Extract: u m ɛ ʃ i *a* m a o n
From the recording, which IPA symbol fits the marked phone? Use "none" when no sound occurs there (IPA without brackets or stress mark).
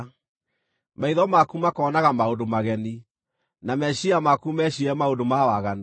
ɛ